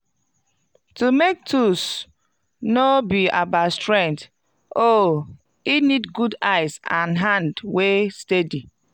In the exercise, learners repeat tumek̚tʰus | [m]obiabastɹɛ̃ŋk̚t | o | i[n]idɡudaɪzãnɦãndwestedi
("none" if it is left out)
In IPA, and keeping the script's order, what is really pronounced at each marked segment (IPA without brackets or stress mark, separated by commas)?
n, n